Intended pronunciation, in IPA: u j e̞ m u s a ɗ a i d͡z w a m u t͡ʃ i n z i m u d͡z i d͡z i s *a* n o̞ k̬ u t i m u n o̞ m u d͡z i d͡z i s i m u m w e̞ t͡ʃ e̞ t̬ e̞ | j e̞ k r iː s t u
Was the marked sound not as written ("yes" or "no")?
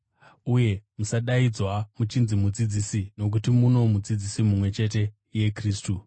yes